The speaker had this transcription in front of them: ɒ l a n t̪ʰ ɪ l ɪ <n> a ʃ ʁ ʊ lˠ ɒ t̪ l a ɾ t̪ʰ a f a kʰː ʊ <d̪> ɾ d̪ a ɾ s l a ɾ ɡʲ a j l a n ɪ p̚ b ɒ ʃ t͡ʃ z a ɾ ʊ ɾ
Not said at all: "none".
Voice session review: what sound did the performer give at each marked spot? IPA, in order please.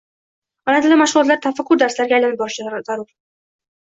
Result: m, none

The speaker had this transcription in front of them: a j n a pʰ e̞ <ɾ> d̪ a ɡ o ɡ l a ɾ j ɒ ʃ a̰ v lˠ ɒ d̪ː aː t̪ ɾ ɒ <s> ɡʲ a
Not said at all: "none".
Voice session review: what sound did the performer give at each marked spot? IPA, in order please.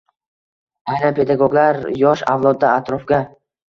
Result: none, f

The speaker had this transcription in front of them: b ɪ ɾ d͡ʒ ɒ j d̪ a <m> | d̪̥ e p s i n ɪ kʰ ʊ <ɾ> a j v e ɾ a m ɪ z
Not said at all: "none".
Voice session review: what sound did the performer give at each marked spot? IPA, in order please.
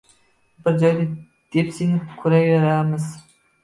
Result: none, ɾ

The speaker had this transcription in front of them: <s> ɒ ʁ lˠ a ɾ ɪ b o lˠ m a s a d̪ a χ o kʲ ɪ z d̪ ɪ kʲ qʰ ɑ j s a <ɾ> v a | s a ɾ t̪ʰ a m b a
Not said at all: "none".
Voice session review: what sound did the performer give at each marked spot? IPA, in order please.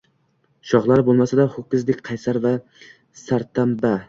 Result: ʃ, ɾ

